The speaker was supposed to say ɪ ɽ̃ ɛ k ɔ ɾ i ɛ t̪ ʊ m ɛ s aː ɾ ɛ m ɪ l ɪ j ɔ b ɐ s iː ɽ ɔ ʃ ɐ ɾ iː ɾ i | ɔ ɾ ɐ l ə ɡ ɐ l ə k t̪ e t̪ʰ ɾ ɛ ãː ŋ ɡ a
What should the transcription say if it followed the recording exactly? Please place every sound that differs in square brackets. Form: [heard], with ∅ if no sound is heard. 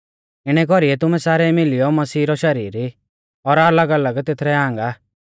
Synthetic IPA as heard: ɪ ɽ̃ ɛ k ɔ ɾ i ɛ t̪ ʊ m ɛ s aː ɾ ɛ m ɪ l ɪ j ɔ [m] ɐ s iː [ɾ] ɔ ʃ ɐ ɾ iː ɾ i | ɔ ɾ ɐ l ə ɡ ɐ l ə [ɡ] t̪ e t̪ʰ ɾ ɛ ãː ŋ ɡ a